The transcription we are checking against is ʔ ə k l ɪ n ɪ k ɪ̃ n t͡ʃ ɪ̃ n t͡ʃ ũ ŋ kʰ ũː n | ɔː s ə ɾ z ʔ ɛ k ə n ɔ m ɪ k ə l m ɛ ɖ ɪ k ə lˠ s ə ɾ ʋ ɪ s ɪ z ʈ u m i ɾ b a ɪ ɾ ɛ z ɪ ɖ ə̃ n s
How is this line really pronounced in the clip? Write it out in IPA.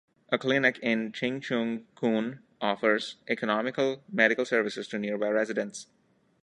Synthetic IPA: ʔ ə k l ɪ n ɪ k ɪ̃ n t͡ʃ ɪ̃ ŋ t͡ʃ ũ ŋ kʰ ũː n | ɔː f ə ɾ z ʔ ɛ k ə n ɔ m ɪ k ə l m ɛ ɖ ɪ k ə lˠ s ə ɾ ʋ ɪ s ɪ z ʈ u n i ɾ b a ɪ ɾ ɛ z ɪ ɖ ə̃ n s